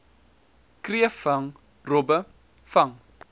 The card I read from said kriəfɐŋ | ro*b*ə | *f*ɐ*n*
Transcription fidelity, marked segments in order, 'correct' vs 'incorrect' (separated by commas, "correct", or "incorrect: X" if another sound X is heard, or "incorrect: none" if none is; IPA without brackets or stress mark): correct, correct, incorrect: ŋ